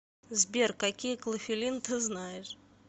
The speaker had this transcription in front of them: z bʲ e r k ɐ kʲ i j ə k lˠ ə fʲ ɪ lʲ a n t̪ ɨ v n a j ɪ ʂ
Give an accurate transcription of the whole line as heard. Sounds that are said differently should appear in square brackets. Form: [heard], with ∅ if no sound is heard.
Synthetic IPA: z bʲ e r k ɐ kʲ i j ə k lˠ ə fʲ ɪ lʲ [i] n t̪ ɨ [z] n a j ɪ ʂ